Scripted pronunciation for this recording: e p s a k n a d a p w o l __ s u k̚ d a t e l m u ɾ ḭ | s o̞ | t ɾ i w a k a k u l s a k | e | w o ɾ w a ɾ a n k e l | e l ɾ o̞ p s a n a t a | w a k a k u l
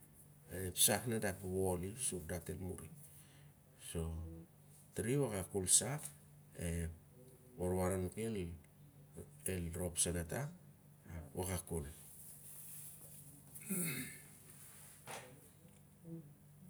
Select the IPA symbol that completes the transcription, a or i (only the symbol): i